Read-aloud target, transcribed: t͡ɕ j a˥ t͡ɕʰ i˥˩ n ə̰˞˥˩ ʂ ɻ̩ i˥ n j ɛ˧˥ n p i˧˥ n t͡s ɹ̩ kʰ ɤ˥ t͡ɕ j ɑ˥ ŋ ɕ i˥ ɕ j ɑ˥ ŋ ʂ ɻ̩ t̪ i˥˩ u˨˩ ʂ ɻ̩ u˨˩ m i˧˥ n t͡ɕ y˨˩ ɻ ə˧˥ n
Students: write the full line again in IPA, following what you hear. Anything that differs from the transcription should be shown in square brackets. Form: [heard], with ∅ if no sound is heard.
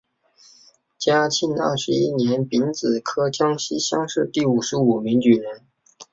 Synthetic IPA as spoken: t͡ɕ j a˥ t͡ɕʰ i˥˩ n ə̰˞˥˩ ʂ ɻ̩ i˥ n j ɛ˧˥ n p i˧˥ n t͡s ɹ̩ kʰ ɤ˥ t͡ɕ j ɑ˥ ŋ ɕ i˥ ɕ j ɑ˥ ŋ ʂ ɻ̩ t̪ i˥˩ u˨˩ ʂ ɻ̩ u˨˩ m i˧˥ [ŋ] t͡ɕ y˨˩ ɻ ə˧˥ n